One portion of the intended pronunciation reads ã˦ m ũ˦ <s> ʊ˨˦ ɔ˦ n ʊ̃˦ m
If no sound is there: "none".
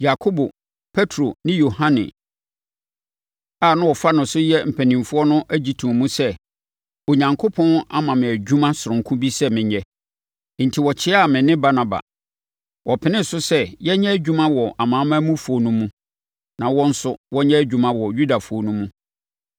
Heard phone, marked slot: f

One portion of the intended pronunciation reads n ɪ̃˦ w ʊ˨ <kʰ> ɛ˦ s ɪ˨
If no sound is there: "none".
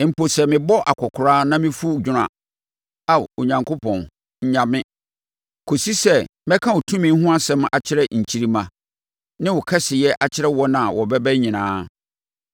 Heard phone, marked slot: kʰ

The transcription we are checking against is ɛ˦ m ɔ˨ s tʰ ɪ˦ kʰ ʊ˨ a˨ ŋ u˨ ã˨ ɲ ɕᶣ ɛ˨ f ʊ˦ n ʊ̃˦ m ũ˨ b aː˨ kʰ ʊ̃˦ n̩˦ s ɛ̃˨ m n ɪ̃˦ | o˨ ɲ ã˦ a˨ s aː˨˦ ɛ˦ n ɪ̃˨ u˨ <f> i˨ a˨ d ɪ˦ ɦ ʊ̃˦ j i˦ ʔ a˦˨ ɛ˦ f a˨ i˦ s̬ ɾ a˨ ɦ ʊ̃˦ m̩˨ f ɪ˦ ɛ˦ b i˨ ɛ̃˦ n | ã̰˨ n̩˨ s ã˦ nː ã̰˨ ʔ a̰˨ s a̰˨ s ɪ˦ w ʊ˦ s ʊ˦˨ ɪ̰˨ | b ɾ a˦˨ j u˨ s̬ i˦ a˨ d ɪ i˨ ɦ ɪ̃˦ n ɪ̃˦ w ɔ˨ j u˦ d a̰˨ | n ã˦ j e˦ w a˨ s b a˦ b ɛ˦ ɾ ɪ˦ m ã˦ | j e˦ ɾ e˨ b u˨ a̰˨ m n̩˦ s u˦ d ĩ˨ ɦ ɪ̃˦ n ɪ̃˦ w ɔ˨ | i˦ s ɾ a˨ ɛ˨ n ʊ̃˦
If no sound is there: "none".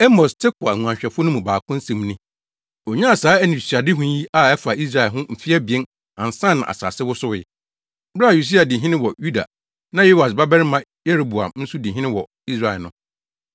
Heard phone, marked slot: s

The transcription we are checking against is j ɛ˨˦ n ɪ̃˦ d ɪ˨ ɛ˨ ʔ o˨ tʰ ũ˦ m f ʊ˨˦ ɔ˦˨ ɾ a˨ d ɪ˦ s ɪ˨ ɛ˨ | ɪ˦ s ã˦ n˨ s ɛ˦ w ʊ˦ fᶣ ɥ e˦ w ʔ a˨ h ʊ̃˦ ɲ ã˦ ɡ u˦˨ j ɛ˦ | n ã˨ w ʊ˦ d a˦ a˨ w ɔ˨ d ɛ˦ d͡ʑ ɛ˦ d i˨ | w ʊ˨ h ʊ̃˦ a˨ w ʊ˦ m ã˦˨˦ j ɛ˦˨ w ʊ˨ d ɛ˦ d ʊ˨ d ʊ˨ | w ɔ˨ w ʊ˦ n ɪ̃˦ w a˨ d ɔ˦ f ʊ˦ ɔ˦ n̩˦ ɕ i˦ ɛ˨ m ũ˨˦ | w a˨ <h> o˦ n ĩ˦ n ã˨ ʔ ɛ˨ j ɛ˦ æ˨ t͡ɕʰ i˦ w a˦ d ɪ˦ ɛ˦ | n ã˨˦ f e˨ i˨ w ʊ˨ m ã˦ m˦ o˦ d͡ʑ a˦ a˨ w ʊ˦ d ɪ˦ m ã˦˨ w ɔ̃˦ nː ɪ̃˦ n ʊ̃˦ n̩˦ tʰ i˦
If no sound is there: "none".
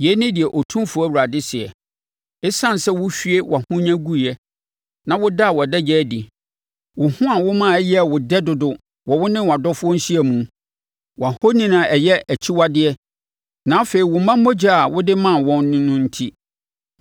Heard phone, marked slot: h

